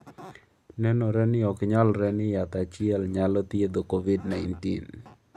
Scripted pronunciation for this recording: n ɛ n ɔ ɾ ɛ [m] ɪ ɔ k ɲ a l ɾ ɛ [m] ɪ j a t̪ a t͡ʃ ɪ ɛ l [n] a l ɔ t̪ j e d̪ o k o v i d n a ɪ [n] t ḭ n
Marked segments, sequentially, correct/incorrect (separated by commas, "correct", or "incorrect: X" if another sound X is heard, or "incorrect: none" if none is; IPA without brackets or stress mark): incorrect: n, incorrect: n, incorrect: ɲ, correct